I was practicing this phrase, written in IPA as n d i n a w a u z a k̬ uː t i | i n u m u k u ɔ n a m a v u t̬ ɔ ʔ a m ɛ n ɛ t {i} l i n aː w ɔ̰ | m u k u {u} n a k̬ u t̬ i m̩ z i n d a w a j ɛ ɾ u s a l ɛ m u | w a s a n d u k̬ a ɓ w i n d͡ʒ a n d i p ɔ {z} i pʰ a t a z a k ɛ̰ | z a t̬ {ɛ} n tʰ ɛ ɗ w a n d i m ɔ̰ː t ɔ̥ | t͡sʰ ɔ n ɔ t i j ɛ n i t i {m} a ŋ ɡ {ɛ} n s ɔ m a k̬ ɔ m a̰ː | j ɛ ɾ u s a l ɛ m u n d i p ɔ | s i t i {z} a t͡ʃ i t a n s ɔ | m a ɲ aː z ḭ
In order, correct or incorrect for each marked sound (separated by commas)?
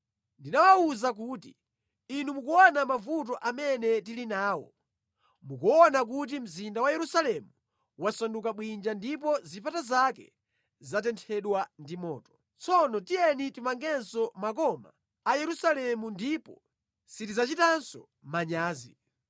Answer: correct, incorrect, correct, correct, correct, correct, correct